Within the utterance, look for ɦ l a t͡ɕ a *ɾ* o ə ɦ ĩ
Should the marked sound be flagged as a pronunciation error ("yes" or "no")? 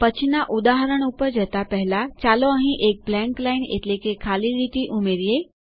yes